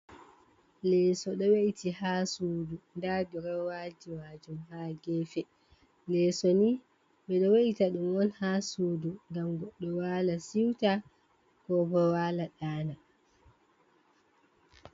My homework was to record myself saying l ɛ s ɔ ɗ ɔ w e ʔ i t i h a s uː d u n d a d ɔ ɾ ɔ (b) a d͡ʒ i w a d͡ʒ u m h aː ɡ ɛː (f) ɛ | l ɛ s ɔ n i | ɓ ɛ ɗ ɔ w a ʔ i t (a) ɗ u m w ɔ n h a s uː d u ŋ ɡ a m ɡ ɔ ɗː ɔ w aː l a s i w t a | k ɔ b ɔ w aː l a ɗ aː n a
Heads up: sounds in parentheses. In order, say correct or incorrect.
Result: incorrect: w, correct, correct

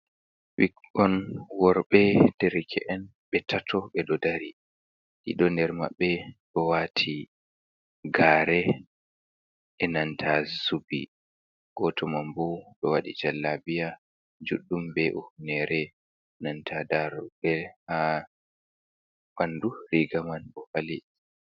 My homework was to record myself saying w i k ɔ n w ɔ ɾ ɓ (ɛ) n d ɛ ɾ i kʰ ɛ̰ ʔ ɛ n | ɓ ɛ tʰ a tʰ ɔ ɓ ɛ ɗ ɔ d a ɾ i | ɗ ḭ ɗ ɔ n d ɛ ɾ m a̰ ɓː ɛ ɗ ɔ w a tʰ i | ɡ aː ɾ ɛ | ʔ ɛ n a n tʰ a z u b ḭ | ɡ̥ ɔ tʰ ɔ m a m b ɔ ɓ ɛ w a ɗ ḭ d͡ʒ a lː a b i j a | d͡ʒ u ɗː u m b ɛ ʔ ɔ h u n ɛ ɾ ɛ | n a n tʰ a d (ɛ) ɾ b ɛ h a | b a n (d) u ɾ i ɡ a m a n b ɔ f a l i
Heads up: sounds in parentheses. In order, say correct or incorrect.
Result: correct, incorrect: a, correct

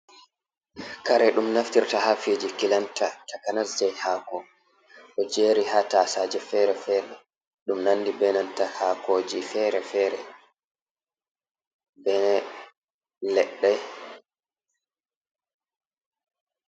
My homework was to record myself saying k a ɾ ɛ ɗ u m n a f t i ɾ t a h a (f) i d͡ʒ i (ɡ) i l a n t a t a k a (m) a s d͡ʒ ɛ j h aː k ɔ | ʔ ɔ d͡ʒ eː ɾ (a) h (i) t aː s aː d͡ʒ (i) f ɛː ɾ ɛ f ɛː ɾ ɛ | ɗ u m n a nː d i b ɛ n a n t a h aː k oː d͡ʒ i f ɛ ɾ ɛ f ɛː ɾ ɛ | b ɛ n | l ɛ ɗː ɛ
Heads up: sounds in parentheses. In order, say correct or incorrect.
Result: correct, incorrect: k, incorrect: n, incorrect: i, incorrect: a, incorrect: ɛ

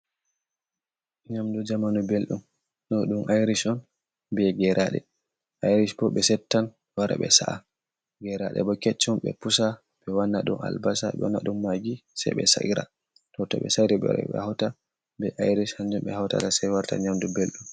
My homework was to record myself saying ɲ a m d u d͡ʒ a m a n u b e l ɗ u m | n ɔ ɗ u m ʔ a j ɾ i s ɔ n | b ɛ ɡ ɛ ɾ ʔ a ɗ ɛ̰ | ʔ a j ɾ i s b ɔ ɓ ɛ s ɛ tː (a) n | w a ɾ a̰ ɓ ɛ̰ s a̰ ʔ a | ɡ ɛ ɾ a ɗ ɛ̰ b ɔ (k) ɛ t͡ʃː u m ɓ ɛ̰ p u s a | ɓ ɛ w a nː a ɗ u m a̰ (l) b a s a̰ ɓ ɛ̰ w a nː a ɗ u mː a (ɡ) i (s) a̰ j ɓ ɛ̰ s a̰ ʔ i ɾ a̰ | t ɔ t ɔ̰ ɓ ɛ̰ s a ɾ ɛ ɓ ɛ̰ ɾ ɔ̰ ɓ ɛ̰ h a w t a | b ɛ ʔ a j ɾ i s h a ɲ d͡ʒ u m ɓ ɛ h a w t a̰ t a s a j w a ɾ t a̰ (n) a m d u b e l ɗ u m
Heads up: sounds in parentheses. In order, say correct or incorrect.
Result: correct, correct, correct, correct, correct, incorrect: ɲ

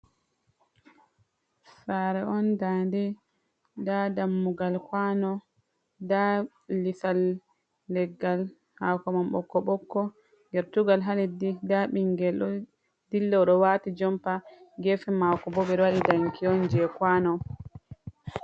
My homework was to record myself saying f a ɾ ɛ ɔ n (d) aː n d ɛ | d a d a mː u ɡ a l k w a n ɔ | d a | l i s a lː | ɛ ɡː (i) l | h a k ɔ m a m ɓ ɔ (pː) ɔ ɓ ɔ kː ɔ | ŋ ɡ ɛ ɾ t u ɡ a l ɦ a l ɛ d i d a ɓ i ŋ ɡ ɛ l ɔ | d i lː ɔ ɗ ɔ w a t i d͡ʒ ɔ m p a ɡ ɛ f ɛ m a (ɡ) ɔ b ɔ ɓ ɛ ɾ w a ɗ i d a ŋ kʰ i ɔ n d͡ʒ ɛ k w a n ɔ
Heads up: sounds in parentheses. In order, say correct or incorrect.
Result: correct, incorrect: a, incorrect: kː, incorrect: k

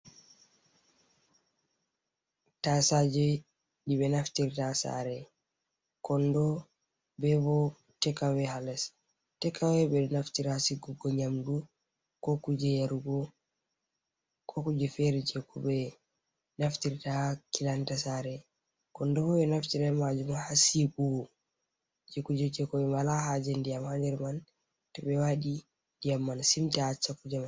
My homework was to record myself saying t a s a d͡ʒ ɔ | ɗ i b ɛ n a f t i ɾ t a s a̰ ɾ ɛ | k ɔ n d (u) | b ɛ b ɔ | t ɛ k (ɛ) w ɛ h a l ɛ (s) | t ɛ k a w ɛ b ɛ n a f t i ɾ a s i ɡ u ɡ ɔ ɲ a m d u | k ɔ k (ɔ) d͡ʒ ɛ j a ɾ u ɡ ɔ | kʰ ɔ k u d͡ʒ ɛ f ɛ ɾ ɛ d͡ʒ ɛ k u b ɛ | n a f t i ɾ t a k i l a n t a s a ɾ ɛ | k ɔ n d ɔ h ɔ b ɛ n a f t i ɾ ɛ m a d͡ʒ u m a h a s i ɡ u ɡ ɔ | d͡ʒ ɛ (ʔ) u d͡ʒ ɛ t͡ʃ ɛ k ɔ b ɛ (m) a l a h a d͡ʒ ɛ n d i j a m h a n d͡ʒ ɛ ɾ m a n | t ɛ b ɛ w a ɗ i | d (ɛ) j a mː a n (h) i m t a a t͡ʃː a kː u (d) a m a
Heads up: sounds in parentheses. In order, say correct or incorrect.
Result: incorrect: ɔ, incorrect: a, correct, incorrect: u, incorrect: k, correct, incorrect: i, incorrect: s, incorrect: d͡ʒ

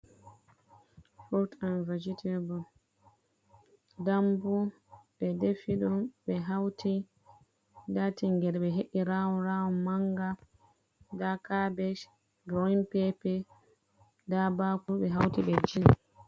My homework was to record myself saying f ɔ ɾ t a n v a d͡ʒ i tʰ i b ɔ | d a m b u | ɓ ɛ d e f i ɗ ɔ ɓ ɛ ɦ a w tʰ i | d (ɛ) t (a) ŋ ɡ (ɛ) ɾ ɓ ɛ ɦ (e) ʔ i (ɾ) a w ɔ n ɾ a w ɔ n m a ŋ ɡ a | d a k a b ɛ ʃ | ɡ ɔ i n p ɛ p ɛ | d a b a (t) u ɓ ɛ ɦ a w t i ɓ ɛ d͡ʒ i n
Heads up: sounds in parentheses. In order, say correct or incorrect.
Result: incorrect: a, incorrect: i, correct, correct, correct, incorrect: k

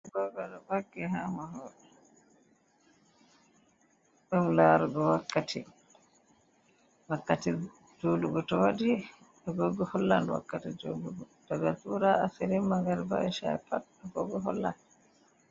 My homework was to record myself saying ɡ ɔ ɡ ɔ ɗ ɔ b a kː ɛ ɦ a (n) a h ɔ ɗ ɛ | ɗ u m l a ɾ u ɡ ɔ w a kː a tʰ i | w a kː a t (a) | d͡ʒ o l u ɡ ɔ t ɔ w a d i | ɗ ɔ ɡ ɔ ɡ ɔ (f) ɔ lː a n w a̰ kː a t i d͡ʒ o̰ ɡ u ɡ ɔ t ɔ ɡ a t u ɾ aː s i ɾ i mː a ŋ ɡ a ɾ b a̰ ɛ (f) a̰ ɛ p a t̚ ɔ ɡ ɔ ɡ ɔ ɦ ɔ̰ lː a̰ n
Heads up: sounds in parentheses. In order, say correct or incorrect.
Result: incorrect: m, incorrect: i, incorrect: h, incorrect: ʃ

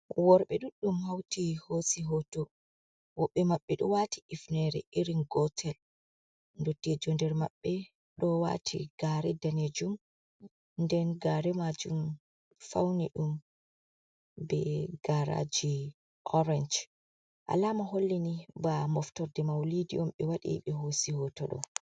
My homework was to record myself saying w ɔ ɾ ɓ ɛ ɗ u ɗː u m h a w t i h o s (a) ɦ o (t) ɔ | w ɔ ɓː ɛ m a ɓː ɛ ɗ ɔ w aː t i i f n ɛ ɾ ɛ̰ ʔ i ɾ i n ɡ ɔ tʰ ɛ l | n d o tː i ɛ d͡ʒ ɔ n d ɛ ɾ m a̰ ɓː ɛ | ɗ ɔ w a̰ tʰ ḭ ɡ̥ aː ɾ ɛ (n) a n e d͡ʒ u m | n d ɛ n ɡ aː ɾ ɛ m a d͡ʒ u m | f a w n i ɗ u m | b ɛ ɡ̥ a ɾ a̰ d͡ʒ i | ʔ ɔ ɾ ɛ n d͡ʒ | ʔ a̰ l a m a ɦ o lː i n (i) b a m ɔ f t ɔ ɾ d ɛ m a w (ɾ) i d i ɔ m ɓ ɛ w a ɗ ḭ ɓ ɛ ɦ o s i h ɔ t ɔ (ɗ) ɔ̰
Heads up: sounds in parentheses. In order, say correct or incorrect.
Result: incorrect: i, correct, incorrect: d, correct, incorrect: l, correct

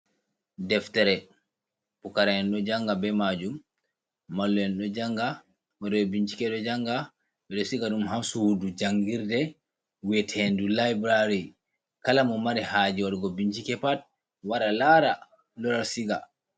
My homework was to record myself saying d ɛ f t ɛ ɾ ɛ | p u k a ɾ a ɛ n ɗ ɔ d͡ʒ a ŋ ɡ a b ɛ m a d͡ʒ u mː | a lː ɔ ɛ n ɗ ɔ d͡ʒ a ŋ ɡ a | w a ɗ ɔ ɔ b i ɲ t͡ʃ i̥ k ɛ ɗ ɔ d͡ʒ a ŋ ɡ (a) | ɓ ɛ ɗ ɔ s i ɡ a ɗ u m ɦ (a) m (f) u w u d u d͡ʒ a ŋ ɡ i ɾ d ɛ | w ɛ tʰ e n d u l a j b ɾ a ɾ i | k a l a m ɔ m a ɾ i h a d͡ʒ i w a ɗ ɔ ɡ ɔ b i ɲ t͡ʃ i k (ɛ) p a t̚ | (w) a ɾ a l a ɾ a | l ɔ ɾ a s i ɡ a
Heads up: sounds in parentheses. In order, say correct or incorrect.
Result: correct, correct, incorrect: s, correct, correct

